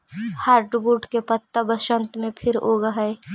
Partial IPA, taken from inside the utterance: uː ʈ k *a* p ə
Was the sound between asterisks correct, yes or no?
no